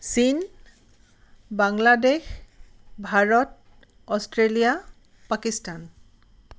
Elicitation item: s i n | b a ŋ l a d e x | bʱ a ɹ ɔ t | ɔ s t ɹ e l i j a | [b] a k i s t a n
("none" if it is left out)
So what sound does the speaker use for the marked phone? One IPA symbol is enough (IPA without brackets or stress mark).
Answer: p